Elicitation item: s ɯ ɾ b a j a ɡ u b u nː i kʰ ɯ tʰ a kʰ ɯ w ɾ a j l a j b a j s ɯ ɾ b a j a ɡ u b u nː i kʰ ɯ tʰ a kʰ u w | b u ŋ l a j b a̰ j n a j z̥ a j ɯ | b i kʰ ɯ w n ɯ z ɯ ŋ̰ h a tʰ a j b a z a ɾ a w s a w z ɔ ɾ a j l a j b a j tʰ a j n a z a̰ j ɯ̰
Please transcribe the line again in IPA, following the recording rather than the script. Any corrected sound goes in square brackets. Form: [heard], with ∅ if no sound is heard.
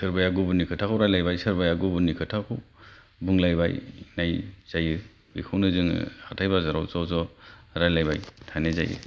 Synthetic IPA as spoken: s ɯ ɾ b a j a ɡ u b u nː i kʰ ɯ tʰ a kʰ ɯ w ɾ a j l a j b a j s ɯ ɾ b a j a ɡ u b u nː i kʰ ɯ tʰ a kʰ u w | b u ŋ l a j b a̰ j n a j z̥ a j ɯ | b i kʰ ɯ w n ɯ z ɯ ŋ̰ h a tʰ a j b a z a ɾ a w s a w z ɔ ɾ a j l a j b a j tʰ a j n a z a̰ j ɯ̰